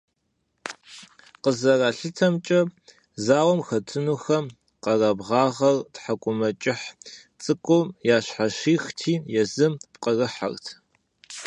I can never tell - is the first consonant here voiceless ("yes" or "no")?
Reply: yes